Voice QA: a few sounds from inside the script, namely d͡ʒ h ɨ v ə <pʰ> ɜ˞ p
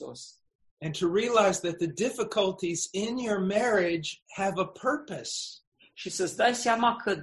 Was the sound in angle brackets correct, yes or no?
yes